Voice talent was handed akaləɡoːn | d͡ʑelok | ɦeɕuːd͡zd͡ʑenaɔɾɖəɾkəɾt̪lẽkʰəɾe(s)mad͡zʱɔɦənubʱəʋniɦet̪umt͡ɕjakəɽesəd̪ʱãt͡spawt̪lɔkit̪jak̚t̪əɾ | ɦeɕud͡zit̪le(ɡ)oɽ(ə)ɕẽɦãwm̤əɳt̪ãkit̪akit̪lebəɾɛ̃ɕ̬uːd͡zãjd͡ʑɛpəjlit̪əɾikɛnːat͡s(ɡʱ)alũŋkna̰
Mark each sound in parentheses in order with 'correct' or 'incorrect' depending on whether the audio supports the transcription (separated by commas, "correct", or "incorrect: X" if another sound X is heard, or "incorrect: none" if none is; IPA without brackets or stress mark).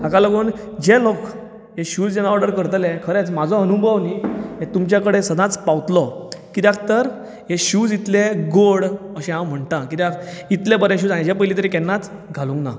incorrect: t͡s, correct, correct, correct